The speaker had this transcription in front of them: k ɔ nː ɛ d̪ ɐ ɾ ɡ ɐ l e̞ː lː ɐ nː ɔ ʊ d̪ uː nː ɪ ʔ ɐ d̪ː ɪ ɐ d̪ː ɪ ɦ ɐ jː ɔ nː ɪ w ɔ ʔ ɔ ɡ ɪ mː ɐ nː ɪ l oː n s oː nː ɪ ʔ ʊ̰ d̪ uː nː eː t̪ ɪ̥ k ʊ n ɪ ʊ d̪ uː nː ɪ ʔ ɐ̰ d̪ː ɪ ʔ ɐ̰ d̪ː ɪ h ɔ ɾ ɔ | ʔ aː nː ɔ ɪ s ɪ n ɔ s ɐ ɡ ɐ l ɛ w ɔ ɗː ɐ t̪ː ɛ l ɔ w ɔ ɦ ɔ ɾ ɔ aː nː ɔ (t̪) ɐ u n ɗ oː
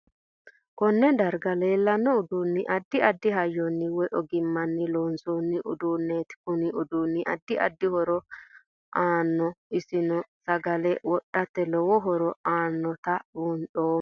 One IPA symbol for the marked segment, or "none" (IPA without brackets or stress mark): t̪